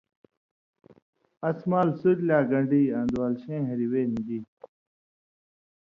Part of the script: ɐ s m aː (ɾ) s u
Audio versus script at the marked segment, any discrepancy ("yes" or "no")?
yes